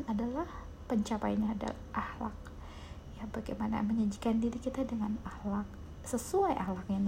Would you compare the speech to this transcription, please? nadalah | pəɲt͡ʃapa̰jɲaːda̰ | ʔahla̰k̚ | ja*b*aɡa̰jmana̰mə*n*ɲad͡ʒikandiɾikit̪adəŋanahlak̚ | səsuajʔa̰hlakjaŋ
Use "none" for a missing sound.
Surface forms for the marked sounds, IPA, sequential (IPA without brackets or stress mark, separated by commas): b, none